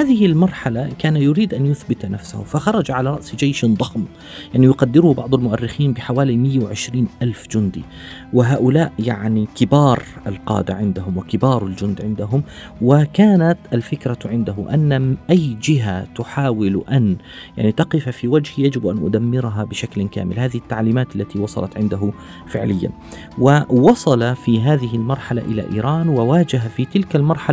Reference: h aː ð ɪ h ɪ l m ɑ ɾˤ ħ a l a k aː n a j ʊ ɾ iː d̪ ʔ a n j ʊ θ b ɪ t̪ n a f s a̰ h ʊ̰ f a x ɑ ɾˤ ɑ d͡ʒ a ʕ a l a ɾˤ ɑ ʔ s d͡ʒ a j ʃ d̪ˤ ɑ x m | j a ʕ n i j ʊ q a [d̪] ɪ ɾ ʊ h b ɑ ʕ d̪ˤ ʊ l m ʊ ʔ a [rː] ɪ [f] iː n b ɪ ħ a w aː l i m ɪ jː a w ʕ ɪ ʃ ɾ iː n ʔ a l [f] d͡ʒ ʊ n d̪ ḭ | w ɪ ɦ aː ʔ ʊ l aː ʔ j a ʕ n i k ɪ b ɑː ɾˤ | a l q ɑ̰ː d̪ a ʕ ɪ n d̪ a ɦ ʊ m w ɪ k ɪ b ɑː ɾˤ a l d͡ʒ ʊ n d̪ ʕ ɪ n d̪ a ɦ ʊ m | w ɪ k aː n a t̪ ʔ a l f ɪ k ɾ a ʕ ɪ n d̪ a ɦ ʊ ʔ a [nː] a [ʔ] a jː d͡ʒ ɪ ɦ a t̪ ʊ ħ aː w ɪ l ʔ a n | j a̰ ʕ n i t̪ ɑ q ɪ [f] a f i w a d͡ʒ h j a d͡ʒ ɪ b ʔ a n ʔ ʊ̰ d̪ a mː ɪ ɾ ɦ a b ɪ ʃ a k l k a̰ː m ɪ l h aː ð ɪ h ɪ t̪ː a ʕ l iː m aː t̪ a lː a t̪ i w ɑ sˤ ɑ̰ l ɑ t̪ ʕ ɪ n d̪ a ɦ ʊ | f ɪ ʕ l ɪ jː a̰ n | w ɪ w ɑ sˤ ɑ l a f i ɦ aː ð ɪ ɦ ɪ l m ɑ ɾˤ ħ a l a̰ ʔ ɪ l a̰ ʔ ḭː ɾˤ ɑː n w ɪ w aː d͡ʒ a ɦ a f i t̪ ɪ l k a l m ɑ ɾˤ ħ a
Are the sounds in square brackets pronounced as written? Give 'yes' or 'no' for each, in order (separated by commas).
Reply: no, yes, no, yes, yes, yes, yes